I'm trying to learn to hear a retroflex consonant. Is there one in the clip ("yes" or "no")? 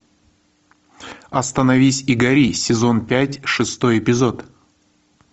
yes